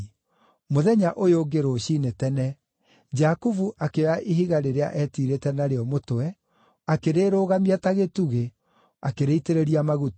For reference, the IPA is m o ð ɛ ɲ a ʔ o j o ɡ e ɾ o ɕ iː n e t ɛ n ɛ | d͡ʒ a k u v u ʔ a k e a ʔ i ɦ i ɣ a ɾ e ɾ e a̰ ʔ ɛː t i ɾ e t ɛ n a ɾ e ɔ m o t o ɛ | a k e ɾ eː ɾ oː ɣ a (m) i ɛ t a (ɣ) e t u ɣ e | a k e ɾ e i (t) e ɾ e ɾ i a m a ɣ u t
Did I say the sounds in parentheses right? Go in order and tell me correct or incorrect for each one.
correct, correct, correct

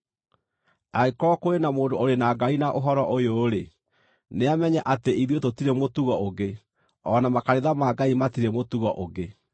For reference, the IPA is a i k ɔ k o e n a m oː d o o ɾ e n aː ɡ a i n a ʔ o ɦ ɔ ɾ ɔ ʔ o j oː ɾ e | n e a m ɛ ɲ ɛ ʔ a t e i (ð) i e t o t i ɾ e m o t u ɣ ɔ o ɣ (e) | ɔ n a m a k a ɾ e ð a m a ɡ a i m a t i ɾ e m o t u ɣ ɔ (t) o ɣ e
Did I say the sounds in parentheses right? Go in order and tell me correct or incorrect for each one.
correct, correct, incorrect

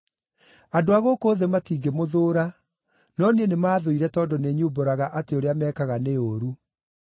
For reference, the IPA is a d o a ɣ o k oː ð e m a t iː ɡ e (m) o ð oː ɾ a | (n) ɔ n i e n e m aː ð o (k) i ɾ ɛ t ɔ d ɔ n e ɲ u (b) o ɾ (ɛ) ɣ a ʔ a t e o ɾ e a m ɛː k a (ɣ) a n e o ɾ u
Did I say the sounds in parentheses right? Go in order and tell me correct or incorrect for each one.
correct, correct, incorrect, correct, incorrect, correct

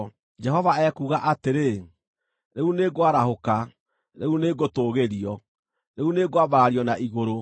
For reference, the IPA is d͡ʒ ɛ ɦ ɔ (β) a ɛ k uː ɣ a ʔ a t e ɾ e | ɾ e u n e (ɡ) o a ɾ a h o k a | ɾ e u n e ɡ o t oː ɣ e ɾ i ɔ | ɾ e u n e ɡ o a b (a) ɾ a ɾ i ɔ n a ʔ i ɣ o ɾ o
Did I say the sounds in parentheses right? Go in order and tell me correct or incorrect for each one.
incorrect, correct, correct

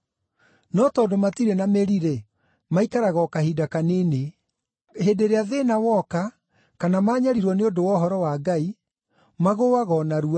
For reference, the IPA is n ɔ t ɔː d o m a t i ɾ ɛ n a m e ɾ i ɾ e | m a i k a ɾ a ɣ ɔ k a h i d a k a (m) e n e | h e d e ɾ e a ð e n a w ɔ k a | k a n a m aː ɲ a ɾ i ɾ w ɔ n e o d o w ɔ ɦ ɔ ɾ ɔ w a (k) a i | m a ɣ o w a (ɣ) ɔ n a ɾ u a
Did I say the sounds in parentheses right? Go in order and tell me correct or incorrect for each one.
incorrect, incorrect, correct

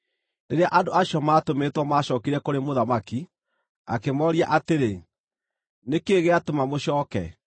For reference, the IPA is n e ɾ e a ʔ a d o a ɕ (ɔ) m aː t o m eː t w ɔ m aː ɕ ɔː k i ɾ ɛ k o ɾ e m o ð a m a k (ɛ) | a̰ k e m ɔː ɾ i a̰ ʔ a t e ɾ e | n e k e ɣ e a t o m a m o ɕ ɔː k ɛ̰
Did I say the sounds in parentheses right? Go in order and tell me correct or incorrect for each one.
correct, incorrect

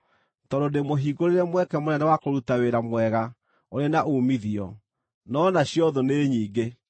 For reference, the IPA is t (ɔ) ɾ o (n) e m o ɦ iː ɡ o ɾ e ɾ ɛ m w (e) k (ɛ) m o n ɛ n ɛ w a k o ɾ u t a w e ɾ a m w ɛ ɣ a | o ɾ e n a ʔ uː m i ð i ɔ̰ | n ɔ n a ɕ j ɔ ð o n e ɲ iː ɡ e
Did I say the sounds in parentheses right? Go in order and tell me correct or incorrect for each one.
correct, incorrect, incorrect, correct

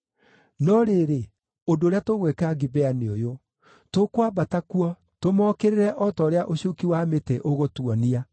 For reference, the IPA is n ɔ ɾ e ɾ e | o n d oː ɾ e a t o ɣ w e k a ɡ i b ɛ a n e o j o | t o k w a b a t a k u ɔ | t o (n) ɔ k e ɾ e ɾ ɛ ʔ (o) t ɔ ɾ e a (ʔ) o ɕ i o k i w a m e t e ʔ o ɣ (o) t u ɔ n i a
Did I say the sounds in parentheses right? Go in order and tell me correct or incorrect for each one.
incorrect, incorrect, correct, correct

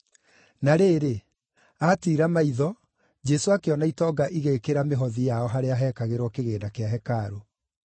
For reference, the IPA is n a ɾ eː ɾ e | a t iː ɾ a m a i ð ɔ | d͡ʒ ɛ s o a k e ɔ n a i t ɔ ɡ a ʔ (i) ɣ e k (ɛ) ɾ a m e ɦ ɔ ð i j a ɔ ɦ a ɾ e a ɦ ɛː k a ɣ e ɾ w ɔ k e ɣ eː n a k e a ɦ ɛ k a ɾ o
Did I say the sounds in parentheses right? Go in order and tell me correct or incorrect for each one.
correct, incorrect

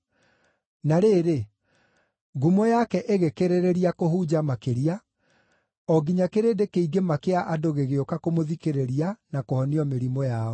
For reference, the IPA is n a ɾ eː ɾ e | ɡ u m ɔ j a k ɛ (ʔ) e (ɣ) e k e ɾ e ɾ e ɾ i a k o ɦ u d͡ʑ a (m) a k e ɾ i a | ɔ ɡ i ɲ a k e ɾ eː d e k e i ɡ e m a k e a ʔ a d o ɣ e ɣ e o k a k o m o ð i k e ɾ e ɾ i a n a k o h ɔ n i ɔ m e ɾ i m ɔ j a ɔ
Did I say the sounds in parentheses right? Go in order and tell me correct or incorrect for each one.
correct, correct, correct

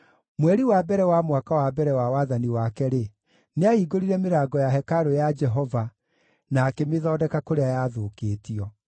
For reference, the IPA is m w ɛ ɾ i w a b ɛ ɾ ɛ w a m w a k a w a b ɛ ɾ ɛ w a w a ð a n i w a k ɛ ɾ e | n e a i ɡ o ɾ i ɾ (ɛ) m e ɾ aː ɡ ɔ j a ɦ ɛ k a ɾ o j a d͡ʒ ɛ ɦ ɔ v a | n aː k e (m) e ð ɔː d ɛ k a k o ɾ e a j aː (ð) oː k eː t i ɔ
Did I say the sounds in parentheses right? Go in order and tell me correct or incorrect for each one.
correct, correct, correct

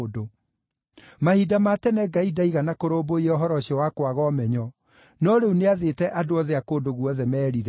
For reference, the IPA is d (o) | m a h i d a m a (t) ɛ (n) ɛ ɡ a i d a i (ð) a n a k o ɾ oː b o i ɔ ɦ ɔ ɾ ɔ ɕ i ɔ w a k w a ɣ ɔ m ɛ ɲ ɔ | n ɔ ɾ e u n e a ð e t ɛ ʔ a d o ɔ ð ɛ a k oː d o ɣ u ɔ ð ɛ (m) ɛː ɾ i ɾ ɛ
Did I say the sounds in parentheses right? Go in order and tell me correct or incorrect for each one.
correct, correct, correct, incorrect, correct

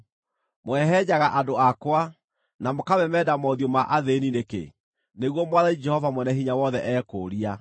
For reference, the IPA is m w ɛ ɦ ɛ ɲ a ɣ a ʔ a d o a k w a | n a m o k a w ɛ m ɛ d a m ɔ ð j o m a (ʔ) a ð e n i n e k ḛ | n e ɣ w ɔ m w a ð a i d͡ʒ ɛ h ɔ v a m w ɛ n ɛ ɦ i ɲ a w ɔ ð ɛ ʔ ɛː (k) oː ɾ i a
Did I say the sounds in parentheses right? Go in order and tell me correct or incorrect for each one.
correct, correct

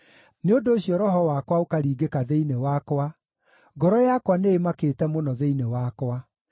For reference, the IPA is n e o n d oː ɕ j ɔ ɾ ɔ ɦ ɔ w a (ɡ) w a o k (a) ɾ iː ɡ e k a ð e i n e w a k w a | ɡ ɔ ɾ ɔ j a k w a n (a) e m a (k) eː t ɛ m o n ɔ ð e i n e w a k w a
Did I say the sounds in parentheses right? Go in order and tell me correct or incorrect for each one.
incorrect, correct, incorrect, correct

